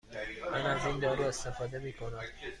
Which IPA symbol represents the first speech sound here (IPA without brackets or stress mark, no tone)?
m